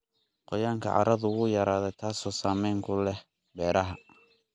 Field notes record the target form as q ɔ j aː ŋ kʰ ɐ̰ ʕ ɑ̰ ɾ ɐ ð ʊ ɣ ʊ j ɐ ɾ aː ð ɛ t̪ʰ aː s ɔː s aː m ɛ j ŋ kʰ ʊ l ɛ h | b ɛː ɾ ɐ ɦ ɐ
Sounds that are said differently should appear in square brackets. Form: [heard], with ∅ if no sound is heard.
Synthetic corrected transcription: q ɔ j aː ŋ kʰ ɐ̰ ʕ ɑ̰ ɾ ɐ ð ʊ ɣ ʊ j ɐ ɾ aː ð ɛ t̪ʰ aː s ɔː s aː m ɛ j ŋ kʰ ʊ l ɛ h | b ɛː ɾ ɐ ɦ ɐ